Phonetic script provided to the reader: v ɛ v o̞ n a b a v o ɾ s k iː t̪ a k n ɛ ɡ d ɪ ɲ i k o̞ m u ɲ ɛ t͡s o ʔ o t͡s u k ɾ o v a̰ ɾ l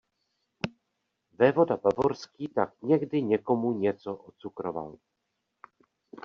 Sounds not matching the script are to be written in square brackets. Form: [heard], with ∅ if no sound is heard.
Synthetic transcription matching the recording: v ɛ v o̞ [d] a b a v o ɾ s k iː t̪ a k [ɲ] ɛ ɡ d ɪ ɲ [ɛ] k o̞ m u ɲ ɛ t͡s o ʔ o t͡s u k ɾ o v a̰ [∅] l